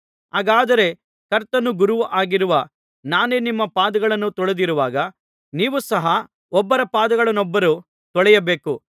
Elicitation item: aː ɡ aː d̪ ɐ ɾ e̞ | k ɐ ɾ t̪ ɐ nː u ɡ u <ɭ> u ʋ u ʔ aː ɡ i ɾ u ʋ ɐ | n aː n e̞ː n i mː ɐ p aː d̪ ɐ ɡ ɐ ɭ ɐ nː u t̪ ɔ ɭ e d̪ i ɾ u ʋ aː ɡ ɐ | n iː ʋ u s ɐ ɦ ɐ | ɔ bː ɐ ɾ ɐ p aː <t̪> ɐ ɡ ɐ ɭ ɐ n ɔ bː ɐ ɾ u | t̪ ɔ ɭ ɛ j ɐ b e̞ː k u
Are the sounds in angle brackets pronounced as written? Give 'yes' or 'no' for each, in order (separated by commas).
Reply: no, no